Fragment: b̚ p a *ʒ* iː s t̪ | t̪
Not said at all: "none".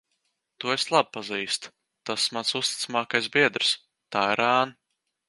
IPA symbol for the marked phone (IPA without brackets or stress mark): z